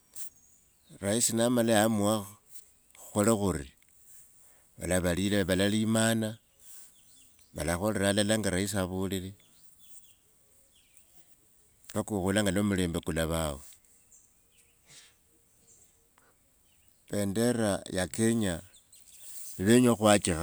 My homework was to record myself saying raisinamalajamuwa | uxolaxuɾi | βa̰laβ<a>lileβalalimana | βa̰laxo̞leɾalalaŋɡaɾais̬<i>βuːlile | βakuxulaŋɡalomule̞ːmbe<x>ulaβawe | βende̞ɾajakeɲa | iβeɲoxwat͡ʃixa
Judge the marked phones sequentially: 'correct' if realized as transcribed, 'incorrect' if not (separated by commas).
correct, incorrect, incorrect